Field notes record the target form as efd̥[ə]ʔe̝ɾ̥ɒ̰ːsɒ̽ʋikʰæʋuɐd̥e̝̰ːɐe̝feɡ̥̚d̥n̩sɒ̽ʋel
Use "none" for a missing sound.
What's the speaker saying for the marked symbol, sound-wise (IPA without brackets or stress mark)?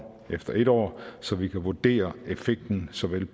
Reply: ɐ